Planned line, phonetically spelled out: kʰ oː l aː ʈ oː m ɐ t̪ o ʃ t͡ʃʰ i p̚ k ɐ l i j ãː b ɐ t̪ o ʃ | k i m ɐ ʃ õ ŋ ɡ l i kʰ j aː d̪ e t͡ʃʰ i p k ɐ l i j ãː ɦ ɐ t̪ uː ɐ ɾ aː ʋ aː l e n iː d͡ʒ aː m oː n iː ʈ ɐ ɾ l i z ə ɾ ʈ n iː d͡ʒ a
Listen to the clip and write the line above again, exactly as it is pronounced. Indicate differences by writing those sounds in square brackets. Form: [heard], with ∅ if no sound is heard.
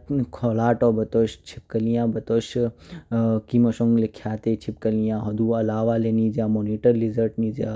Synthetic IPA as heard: kʰ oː l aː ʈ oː [b] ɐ t̪ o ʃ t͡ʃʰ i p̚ k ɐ l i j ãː b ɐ t̪ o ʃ | k i m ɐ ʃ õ ŋ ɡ l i kʰ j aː [t̪] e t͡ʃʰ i p k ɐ l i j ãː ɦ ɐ [d̪] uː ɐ [l] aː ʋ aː l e n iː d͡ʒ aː m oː n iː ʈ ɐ ɾ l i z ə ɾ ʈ n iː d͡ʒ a